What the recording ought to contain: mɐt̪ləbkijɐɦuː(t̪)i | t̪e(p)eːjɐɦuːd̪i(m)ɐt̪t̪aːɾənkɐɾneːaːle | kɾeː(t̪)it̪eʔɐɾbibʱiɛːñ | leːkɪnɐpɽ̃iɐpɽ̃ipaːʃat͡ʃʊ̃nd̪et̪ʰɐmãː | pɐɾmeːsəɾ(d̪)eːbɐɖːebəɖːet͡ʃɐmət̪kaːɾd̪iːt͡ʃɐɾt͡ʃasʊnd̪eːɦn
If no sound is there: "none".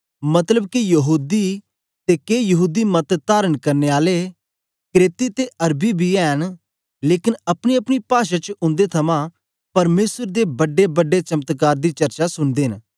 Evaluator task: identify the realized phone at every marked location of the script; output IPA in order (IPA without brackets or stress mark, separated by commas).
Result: d̪, k, m, t̪, d̪